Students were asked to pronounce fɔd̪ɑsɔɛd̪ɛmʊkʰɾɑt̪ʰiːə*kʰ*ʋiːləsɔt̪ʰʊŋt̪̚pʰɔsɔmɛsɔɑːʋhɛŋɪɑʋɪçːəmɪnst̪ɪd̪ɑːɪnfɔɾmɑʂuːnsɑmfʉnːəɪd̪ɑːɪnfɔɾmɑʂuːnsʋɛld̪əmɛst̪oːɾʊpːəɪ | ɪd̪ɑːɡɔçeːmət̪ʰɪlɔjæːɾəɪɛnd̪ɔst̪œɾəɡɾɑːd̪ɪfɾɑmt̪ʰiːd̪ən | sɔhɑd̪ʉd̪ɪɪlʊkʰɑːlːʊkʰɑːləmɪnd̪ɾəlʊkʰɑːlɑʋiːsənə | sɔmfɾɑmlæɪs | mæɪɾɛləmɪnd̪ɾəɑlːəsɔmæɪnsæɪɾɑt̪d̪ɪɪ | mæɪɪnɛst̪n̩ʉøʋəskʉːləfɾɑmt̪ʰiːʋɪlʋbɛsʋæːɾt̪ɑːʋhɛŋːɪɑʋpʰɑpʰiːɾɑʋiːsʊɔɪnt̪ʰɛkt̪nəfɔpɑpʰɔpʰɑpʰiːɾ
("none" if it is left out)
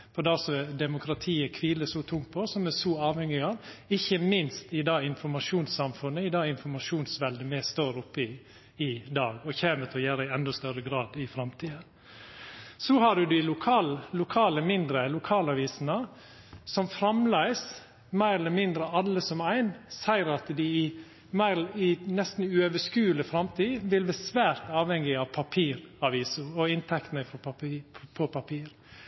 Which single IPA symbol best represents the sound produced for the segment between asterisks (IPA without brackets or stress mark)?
kʰ